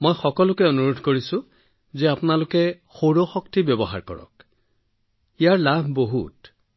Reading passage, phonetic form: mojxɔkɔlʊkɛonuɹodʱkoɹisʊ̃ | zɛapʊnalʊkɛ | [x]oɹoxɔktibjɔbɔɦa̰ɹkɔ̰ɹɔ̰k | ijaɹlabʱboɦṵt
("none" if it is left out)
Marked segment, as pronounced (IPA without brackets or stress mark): x